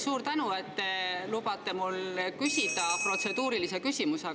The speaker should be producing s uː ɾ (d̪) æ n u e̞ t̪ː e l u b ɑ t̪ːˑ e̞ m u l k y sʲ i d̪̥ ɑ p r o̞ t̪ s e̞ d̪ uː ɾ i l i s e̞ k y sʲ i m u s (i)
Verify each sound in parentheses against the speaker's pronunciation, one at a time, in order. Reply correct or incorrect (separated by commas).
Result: incorrect, incorrect